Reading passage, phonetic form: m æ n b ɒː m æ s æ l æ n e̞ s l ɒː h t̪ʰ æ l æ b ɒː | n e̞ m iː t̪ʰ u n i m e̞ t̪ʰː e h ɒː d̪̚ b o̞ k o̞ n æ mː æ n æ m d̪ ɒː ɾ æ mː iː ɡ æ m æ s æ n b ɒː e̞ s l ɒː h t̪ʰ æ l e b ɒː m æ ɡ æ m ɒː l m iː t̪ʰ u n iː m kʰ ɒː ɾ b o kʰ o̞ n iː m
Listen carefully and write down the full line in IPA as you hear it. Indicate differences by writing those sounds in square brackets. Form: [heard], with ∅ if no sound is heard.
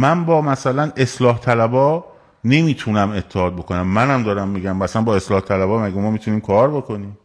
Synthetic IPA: m æ n b ɒː m æ s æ l æ n e̞ s l ɒː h t̪ʰ æ l æ b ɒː | n e̞ m iː t̪ʰ u n [æ] m e̞ t̪ʰː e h ɒː d̪̚ b o̞ k o̞ n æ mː æ n æ m d̪ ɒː ɾ æ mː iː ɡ æ m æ s æ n b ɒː e̞ s l ɒː h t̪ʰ æ l [æ] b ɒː m æ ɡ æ m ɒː [∅] m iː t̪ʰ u n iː m kʰ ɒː ɾ b o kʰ o̞ n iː m